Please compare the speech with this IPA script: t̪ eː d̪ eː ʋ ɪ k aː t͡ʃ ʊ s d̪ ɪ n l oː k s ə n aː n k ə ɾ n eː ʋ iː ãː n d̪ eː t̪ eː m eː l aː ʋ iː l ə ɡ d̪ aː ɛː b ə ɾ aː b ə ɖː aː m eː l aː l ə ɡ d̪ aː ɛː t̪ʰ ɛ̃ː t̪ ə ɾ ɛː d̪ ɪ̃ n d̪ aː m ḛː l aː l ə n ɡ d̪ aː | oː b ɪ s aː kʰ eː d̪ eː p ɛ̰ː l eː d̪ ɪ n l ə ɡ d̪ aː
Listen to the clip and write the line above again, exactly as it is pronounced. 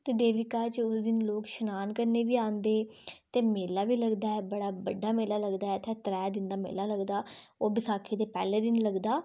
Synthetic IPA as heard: t̪ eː d̪ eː ʋ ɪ k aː t͡ʃ ʊ s d̪ ɪ n l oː k ʃ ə n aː n k ə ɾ n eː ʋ iː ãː n d̪ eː t̪ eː m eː l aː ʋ iː l ə ɡ d̪ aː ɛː b ə ɽ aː b ə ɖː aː m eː l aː l ə ɡ d̪ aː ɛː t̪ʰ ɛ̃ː t̪ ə ɾ ɛː d̪ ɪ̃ n d̪ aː m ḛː l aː l ə ɡ d̪ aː | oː b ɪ s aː kʰ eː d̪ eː p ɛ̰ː l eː d̪ ɪ n l ə ɡ d̪ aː

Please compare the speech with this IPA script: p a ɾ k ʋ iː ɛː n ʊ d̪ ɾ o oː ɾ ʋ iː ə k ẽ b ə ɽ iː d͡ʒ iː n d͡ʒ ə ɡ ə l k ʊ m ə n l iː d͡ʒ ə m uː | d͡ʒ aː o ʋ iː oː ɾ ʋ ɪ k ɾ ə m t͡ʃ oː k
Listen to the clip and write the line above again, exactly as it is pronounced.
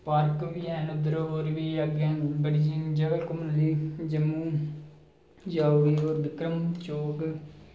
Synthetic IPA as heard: p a ɾ k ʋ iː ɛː n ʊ d̪ ɾ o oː ɾ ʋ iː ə ɡ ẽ b ə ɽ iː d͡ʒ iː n d͡ʒ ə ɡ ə l k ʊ m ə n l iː d͡ʒ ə m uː | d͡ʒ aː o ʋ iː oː ɾ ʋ ɪ k ɾ ə m t͡ʃ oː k

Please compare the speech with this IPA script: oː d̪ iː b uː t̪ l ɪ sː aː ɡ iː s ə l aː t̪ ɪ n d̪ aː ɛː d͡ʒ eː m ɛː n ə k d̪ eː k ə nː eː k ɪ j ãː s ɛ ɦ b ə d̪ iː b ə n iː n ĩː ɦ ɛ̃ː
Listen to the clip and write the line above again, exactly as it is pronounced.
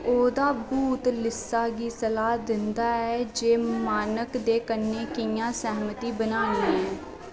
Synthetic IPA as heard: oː d̪ aː b uː t̪ l ɪ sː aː ɡ iː s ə l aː d̪ ɪ n d̪ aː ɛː d͡ʒ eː m aː n ə k d̪ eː k ə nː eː k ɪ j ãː s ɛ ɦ m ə t̪ iː b ə n aː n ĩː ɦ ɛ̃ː

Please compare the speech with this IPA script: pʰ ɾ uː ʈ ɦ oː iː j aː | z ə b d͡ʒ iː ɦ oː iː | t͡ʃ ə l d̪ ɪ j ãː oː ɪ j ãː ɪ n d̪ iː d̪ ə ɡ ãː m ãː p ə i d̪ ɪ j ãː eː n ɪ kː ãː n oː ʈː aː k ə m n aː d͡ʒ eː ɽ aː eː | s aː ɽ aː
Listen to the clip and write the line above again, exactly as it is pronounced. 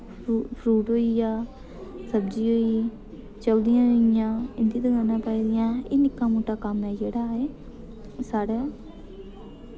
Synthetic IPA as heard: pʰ ɾ uː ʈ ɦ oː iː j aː | s ə b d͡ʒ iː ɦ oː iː | t͡ʃ ə l d̪ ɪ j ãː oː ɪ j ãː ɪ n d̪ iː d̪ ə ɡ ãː n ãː p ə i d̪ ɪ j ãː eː n ɪ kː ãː m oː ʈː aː k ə m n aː d͡ʒ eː ɽ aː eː | s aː ɽ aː

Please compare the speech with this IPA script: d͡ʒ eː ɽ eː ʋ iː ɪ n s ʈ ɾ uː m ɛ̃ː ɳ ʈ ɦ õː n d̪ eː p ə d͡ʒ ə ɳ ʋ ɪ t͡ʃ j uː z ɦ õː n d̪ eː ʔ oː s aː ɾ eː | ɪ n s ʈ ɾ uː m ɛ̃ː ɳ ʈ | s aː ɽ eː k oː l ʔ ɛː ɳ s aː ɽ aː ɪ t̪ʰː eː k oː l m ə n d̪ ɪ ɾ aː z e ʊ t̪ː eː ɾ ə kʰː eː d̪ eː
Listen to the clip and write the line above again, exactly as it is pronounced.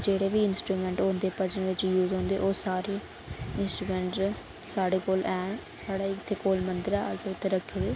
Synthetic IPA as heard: d͡ʒ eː ɽ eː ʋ iː ɪ n s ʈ ɾ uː m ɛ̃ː ɳ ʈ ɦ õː n d̪ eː p ə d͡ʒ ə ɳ ʋ ɪ t͡ʃ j uː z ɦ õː n d̪ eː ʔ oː s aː ɾ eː | ɪ n s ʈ ɾ uː m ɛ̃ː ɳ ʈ | s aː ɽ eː k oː l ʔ ɛː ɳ s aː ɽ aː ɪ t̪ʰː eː k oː l m ə n d̪ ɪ ɾ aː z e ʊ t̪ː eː ɾ ə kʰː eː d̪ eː

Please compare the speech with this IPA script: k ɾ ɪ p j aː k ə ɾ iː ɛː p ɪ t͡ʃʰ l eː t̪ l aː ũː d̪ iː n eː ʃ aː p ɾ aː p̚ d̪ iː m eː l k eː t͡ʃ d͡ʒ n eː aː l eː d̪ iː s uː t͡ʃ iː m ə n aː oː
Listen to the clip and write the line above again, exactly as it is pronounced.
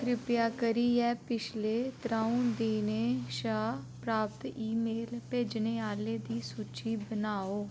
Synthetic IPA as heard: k ɾ ɪ p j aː k ə ɾ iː ɛː p ɪ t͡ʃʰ l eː t̪ ɾ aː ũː d̪ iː n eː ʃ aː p ɾ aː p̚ t̪ iː m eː l p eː d͡ʒ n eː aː l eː d̪ iː s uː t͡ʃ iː b ə n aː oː

